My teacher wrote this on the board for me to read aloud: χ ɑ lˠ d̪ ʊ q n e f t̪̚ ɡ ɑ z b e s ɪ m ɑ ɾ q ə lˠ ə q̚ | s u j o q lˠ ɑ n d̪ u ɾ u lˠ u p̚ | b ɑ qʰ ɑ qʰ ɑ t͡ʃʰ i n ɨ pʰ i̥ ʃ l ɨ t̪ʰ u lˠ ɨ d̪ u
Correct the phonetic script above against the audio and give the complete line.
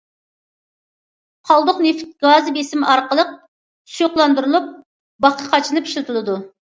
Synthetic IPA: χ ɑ lˠ d̪ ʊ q n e f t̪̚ ɡ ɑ z b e s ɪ m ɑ ɾ q ə lˠ ə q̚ | s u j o q lˠ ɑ n d̪ u ɾ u lˠ u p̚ | b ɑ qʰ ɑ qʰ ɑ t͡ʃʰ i n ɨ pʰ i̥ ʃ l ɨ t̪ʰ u lˠ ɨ d̪ u